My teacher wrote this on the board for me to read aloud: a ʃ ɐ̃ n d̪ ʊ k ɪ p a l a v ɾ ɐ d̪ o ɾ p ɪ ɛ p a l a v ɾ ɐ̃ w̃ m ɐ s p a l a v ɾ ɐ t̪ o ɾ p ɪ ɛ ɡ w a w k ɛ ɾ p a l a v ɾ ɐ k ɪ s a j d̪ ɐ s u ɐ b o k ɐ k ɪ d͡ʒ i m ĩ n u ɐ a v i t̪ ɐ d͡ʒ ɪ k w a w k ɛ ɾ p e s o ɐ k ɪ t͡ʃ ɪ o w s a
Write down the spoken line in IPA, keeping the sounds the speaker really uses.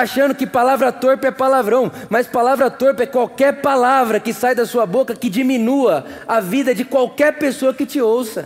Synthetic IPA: a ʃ ɐ̃ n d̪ ʊ k ɪ p a l a v ɾ ɐ t̪ o ɾ p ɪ ɛ p a l a v ɾ ɐ̃ w̃ m ɐ s p a l a v ɾ ɐ t̪ o ɾ p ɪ ɛ k w a w k ɛ ɾ p a l a v ɾ ɐ k ɪ s a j d̪ ɐ s u ɐ b o k ɐ k ɪ d͡ʒ i m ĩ n u ɐ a v i d̪ ɐ d͡ʒ ɪ k w a w k ɛ ɾ p e s o ɐ k ɪ t͡ʃ ɪ o w s ɐ